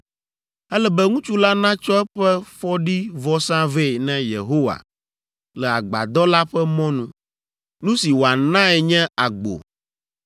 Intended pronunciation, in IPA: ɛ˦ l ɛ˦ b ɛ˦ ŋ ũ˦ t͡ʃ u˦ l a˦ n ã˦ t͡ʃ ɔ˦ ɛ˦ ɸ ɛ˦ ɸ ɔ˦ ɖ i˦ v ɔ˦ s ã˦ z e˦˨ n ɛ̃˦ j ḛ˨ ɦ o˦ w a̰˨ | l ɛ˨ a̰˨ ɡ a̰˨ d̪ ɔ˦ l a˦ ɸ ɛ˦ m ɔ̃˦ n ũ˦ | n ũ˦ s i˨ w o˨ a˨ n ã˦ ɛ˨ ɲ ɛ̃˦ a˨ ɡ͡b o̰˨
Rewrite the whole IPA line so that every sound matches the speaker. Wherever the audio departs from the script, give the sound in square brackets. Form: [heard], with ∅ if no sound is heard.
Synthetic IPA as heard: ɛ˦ l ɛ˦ b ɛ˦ ŋ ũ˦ t͡ʃ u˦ l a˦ n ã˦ t͡ʃ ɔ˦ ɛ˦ ɸ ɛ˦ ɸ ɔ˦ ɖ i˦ v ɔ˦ s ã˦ [v] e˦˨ n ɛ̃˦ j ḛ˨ ɦ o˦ w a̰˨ | l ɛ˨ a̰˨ [ɡ͡b] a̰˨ d̪ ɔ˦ l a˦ ɸ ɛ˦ m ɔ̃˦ n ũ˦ | n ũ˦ s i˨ w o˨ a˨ n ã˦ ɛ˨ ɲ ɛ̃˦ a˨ ɡ͡b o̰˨